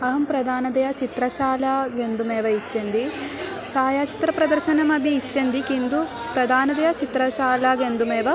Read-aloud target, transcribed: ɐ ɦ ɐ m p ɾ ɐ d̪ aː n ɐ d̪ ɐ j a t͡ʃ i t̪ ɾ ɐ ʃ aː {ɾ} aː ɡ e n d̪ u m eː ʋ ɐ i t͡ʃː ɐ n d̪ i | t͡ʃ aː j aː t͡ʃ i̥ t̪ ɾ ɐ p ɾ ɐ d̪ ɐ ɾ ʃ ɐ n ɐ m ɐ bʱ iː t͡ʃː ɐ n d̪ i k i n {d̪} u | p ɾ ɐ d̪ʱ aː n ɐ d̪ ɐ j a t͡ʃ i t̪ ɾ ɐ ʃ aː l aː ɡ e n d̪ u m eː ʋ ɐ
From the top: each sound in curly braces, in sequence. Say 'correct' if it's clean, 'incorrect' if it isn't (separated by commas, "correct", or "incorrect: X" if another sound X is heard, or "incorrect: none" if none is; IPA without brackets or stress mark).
incorrect: l, correct